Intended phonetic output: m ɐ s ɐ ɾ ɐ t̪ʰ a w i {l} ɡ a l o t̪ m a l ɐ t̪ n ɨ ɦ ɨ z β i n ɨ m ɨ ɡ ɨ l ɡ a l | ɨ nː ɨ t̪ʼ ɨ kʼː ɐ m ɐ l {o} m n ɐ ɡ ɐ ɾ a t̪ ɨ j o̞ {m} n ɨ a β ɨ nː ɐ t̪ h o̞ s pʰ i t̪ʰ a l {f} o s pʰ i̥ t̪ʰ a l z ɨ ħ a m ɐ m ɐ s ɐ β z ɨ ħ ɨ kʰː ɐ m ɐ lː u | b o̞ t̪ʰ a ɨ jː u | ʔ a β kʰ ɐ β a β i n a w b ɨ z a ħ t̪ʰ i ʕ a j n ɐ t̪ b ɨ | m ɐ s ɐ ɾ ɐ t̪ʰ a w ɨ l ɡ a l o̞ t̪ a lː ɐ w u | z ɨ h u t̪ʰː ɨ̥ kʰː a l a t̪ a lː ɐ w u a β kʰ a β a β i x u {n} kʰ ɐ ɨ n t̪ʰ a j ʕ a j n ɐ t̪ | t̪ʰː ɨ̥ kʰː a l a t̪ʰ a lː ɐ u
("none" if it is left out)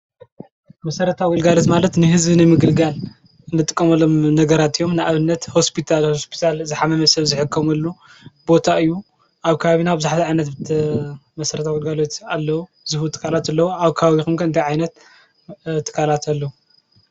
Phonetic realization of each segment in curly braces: l, o, m, h, m

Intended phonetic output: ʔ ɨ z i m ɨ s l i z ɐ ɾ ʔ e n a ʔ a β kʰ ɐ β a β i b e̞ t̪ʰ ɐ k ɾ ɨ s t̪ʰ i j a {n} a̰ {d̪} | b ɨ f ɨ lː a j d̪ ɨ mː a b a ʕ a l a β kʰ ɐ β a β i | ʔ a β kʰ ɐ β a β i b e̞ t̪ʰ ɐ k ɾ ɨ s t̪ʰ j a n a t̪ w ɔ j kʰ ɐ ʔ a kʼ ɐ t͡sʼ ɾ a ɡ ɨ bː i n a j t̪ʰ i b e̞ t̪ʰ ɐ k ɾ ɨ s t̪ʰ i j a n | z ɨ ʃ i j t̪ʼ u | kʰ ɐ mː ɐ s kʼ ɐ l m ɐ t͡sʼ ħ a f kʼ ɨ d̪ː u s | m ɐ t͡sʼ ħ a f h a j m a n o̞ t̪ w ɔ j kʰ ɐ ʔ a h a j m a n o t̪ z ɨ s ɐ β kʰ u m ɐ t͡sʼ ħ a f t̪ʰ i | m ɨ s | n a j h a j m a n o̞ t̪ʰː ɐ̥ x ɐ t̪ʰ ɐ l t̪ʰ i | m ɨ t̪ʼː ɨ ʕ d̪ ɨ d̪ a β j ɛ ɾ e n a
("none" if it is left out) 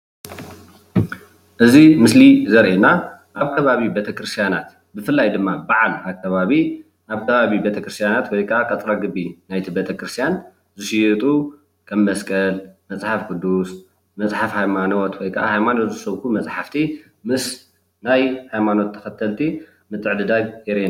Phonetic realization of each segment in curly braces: n, t̪

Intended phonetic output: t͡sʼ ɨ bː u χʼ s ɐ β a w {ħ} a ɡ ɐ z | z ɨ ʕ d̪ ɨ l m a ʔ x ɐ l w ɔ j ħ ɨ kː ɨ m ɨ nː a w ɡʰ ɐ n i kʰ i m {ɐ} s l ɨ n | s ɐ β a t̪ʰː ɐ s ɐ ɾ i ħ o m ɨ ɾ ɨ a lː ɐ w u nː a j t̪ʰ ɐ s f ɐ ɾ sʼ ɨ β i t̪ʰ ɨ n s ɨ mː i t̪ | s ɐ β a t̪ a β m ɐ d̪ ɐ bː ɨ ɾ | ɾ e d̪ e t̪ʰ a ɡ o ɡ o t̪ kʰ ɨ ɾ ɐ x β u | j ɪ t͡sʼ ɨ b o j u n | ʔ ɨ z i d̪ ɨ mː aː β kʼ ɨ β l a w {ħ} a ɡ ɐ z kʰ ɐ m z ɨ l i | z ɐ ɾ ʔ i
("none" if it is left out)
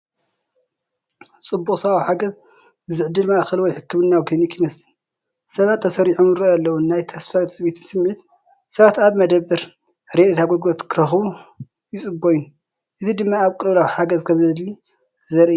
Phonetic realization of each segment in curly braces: ħ, ɐ, ħ

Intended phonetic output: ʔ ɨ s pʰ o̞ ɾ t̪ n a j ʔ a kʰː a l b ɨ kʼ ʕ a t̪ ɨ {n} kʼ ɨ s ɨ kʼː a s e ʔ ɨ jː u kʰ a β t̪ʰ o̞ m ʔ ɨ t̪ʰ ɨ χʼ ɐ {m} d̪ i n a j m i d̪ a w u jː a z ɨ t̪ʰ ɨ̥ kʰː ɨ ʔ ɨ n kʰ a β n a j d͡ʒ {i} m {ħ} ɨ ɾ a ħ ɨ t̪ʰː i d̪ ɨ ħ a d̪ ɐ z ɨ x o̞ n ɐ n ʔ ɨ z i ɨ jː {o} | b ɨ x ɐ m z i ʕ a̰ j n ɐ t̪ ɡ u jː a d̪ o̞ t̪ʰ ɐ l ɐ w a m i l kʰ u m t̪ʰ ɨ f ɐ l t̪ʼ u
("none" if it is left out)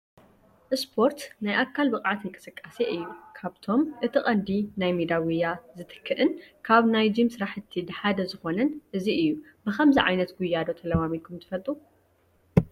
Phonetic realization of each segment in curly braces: ŋ, n, i, s, u

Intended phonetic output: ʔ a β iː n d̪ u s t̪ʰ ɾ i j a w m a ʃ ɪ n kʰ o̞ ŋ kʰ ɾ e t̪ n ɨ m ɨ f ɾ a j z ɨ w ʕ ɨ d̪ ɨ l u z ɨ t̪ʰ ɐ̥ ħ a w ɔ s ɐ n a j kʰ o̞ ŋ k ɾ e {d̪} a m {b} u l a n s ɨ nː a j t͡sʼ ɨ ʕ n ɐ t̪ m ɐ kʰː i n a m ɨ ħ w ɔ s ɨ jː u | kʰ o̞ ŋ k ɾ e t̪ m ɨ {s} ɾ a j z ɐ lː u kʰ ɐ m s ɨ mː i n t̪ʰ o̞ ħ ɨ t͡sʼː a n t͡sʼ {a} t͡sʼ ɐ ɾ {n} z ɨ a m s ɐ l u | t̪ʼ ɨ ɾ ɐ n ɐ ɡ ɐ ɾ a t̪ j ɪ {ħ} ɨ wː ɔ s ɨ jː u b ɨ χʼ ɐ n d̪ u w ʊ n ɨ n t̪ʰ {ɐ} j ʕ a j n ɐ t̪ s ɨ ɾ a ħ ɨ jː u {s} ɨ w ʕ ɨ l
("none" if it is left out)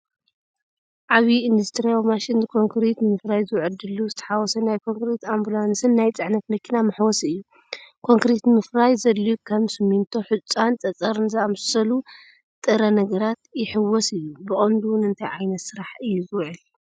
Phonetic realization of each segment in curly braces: t̪, b, f, ɐ, n, ħ, a, z

